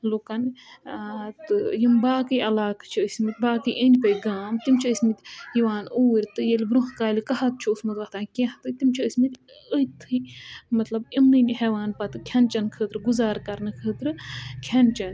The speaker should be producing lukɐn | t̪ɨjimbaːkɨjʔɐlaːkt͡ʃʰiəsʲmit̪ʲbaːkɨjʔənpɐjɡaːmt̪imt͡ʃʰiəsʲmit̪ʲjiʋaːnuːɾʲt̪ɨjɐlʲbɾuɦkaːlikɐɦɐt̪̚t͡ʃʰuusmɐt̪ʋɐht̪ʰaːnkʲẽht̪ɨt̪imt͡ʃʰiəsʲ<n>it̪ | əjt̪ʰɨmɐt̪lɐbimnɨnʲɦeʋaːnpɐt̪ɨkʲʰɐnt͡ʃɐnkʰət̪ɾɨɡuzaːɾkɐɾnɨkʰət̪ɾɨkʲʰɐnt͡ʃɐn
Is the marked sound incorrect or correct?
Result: incorrect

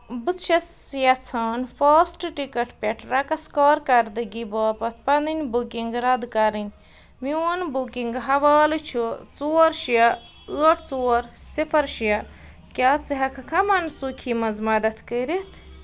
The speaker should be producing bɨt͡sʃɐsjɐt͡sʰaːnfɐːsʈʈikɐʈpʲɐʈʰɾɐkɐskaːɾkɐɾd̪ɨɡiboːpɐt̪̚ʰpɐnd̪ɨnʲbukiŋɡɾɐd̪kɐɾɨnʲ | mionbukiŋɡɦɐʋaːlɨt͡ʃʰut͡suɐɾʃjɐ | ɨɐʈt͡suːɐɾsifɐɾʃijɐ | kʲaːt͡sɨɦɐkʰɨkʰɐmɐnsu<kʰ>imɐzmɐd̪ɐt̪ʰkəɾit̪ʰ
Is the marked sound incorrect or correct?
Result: correct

